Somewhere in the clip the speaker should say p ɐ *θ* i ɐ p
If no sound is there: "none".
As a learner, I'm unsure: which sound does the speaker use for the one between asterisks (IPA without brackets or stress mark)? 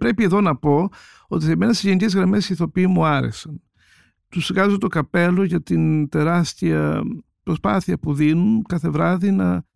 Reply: θ